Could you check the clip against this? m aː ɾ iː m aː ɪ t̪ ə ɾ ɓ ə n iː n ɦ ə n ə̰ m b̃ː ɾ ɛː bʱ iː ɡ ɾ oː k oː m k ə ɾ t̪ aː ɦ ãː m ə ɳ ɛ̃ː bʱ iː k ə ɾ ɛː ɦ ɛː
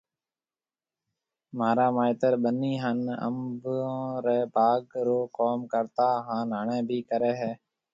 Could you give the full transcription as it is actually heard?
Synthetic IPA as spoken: m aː ɾ aː m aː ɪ t̪ ə ɾ ɓ ə n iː ɦ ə n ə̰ m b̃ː ɾ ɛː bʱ aː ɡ ɾ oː k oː m k ə ɾ t̪ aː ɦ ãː n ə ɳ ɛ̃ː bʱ iː k ə ɾ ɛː ɦ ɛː

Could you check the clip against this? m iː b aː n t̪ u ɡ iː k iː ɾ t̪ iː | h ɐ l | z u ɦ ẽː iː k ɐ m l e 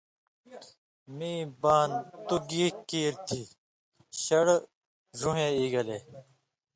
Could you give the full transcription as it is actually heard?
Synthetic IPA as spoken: m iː b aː n t̪ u ɡ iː k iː ɾ t̪ʰ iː | ɕ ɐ ɽ | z u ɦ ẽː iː ɡ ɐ l e

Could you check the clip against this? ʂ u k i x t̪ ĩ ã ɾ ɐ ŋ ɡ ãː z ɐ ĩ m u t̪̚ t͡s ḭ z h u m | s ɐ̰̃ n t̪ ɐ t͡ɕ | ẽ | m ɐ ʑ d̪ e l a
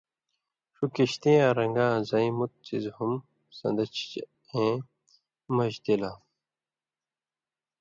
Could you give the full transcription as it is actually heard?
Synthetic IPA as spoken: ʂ u k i ɕ t̪ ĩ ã ɾ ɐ ŋ ɡ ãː z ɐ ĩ m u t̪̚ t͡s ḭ z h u m | s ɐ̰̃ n d̪ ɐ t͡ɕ | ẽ | m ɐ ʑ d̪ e l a

